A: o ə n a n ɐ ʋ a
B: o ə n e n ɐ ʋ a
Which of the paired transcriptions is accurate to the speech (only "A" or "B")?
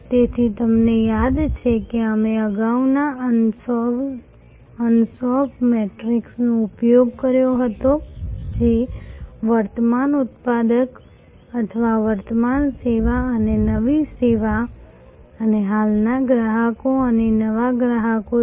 B